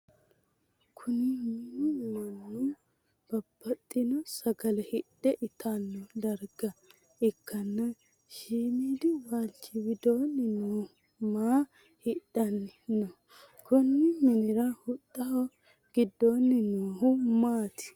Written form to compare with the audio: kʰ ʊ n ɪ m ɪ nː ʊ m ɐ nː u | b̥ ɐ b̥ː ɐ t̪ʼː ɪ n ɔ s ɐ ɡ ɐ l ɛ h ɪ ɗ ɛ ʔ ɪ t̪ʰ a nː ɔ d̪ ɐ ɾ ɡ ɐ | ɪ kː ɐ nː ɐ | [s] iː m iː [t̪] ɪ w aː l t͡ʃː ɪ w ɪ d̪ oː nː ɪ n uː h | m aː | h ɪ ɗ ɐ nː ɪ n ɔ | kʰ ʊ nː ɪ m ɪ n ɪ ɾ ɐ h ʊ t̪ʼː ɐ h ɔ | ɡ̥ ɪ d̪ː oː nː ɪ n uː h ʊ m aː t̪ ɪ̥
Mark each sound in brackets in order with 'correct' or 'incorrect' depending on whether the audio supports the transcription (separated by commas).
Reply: incorrect, incorrect